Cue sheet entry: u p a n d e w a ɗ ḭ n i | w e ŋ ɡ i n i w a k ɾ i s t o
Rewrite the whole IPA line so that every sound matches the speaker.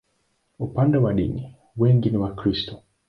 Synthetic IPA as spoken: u p a n d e w a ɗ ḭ n i | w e ŋ ɡ i n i w a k ɾ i s t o